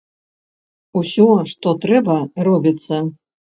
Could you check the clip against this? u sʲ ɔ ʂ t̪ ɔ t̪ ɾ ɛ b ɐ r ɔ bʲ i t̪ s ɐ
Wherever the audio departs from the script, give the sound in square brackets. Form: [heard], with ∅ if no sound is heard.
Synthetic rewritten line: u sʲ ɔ ʂ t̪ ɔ t̪ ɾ ɛ b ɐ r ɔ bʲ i t̪ s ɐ